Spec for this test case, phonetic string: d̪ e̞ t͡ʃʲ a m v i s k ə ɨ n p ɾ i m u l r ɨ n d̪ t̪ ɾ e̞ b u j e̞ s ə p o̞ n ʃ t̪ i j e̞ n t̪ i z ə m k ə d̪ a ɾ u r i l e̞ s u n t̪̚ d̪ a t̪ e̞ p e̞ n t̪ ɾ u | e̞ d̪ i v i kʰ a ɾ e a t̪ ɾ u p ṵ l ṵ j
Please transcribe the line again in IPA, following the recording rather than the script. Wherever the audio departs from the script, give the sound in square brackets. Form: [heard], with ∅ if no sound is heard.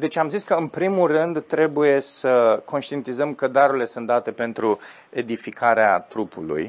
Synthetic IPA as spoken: d̪ e̞ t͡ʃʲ a m [z] i s k ə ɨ n p ɾ i m u l r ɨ n d̪ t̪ ɾ e̞ b u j e̞ s ə [k] o̞ n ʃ t̪ i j e̞ n t̪ i z ə m k ə d̪ a ɾ u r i l e̞ s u n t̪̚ d̪ a t̪ e̞ p e̞ n t̪ ɾ u | e̞ d̪ i [f] i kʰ a ɾ e a t̪ ɾ u p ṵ l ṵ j